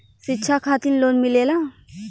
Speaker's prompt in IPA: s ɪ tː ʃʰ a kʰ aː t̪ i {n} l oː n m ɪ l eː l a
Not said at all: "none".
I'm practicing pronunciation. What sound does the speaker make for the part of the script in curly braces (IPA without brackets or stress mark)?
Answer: n